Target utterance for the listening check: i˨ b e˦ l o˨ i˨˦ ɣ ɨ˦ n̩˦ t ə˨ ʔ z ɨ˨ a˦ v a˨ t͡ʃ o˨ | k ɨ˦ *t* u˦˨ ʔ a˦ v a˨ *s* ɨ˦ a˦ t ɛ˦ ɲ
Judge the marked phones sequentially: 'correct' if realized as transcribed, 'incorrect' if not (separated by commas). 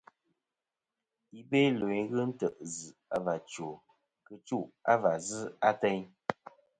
incorrect, incorrect